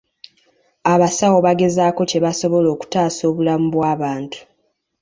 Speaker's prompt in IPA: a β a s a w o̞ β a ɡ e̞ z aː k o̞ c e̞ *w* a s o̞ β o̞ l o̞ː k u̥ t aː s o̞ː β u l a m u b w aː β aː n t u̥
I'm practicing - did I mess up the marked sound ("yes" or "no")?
yes